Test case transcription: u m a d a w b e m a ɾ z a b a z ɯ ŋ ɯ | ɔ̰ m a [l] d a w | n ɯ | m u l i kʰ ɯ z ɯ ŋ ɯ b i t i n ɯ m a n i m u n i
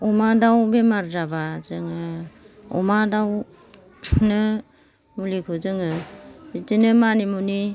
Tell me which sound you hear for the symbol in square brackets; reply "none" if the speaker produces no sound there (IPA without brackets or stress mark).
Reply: none